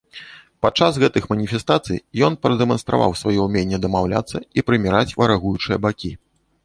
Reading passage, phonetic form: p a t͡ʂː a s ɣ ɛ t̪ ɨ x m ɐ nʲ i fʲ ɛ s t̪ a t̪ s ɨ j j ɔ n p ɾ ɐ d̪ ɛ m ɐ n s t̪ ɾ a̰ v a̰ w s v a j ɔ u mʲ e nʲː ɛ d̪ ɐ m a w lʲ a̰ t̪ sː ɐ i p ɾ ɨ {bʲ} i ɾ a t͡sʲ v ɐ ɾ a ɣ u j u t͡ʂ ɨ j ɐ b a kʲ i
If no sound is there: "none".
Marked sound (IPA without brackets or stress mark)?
mʲ